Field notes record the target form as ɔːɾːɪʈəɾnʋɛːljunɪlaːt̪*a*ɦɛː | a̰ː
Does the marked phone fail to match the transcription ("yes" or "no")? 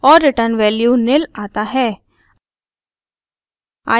no